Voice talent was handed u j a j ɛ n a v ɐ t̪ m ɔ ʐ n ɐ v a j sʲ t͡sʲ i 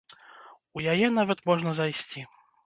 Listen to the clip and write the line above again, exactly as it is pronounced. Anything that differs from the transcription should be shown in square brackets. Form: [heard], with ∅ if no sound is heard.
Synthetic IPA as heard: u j a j ɛ n a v ɐ t̪ m ɔ ʐ n ɐ [z] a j sʲ t͡sʲ i